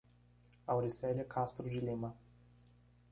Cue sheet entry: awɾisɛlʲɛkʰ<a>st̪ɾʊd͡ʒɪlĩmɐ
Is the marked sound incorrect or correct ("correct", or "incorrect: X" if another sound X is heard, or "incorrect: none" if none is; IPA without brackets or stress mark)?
correct